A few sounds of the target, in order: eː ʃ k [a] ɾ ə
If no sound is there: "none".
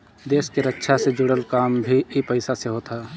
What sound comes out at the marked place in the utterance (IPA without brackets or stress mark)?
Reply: e